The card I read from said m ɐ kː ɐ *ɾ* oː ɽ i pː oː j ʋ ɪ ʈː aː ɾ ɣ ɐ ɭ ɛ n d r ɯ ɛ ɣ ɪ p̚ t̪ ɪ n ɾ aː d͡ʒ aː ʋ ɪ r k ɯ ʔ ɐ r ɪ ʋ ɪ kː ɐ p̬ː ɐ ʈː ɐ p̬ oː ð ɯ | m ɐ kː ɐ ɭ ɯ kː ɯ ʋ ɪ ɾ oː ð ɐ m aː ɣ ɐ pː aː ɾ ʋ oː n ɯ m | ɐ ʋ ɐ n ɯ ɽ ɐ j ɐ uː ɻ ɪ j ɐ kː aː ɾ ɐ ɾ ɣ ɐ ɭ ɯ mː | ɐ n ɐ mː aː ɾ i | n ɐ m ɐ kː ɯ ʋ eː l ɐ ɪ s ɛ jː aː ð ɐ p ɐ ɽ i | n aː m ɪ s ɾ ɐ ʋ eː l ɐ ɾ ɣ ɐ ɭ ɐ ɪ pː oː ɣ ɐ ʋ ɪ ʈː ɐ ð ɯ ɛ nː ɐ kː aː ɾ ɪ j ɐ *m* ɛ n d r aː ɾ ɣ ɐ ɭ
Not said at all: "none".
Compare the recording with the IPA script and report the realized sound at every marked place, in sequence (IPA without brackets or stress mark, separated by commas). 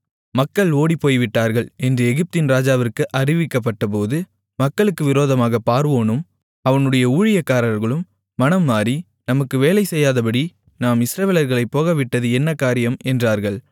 ɭ, m